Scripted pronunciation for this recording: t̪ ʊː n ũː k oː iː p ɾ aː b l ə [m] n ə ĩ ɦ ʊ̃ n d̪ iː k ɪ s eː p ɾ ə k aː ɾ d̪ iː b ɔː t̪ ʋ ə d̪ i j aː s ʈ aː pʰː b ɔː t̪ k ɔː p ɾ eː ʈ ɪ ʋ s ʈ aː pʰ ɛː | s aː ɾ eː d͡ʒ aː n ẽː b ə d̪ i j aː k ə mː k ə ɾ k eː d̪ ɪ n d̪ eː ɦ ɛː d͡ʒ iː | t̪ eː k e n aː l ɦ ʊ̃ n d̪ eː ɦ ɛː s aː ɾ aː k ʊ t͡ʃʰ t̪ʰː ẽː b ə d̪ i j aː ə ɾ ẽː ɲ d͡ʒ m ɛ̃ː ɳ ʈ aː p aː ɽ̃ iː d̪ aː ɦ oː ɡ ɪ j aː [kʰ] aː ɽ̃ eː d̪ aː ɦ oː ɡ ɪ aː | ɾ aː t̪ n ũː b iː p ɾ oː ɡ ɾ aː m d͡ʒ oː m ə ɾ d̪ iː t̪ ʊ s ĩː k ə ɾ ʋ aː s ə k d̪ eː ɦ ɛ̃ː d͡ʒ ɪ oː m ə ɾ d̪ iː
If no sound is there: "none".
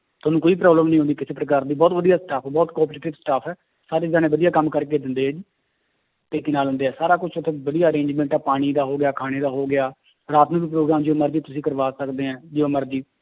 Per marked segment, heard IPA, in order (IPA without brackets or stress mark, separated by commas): m, kʰ